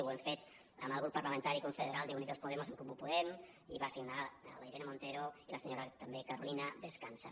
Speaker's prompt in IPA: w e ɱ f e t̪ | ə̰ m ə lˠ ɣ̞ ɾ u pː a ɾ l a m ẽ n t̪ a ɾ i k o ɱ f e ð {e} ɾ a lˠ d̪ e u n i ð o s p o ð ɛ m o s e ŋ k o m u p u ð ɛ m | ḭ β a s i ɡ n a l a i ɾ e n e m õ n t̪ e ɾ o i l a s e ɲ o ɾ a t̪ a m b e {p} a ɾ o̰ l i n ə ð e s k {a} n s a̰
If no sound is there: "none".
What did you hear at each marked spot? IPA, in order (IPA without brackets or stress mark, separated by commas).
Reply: e, k, a